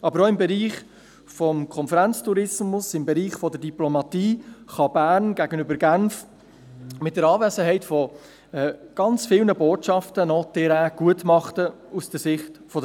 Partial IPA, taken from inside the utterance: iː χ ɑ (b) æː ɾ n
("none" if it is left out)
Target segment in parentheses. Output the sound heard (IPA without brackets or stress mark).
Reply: b